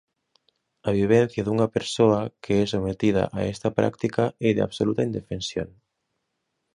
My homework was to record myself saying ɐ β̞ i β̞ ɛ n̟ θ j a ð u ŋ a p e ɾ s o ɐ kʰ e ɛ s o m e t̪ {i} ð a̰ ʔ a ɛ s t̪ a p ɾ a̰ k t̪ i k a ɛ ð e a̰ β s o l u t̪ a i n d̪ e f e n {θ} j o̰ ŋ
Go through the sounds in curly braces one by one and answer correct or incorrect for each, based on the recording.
correct, incorrect: s

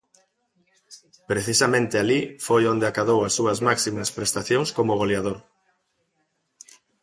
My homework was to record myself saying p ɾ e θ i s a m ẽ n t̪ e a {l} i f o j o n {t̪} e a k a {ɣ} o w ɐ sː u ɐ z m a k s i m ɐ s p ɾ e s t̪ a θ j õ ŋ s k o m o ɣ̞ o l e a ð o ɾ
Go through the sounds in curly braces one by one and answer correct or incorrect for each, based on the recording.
correct, incorrect: d̪, incorrect: ð

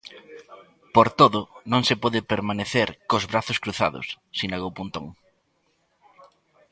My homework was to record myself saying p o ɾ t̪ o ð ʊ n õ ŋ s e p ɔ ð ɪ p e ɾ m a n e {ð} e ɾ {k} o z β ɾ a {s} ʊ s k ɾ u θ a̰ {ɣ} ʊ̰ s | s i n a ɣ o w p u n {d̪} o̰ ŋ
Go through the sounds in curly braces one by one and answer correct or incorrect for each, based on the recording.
incorrect: θ, correct, incorrect: θ, incorrect: ð, incorrect: t̪

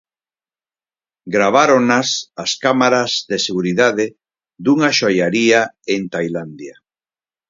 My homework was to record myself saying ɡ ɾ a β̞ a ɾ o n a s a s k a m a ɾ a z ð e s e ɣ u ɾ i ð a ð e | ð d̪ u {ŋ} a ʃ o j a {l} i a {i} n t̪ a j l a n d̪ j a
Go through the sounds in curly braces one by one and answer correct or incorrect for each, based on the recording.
correct, incorrect: ɾ, incorrect: e

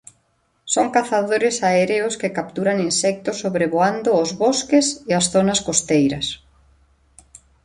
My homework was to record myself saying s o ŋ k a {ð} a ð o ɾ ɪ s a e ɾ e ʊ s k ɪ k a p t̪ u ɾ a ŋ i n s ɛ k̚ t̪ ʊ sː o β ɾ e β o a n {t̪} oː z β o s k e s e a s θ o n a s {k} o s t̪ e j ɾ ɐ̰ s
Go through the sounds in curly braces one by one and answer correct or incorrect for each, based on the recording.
incorrect: θ, incorrect: d̪, correct

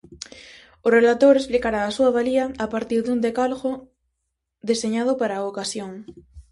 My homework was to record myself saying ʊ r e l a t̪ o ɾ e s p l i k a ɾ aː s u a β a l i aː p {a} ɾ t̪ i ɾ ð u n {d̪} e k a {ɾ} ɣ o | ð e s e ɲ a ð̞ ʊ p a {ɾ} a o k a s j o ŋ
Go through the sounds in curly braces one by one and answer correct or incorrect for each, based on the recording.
correct, correct, incorrect: l, correct

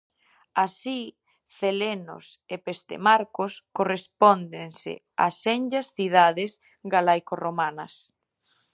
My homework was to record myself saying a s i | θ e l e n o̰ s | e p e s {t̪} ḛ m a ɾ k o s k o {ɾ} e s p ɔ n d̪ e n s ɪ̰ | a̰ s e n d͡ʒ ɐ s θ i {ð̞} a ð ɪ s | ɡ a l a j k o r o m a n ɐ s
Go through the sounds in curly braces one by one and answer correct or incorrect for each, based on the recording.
correct, incorrect: r, correct

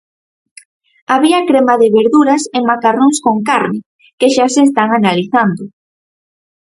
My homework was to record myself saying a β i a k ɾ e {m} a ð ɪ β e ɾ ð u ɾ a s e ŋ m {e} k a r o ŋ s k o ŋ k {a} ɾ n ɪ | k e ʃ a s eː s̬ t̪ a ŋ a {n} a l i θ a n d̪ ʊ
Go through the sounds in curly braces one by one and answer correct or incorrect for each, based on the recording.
correct, incorrect: a, correct, correct

